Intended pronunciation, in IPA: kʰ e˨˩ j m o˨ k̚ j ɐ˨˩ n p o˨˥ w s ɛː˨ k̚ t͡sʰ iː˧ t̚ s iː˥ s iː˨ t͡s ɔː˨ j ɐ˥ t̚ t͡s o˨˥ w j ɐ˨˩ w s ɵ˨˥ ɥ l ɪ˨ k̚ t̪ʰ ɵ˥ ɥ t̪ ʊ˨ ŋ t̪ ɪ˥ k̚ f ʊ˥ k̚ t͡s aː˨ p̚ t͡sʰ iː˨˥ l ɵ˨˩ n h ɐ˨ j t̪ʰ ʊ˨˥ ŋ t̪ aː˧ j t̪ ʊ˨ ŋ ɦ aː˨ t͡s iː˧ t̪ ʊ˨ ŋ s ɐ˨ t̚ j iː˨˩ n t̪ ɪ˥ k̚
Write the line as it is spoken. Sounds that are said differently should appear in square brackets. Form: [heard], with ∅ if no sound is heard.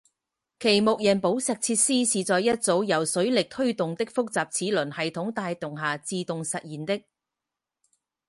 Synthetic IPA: kʰ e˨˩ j m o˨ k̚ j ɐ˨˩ n p o˨˥ w s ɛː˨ k̚ t͡sʰ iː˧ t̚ s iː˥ s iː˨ t͡s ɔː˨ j ɐ˥ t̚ t͡s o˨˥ w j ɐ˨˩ w s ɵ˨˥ ɥ l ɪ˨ k̚ t̪ʰ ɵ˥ ɥ t̪ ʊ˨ ŋ t̪ ɪ˥ k̚ f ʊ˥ k̚ t͡s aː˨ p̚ t͡sʰ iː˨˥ l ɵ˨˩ n h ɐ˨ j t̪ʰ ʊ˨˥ ŋ t̪ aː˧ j t̪ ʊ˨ ŋ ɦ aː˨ t͡s iː˧ t̪ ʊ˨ ŋ s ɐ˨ t̚ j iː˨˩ n t̪ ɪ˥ k̚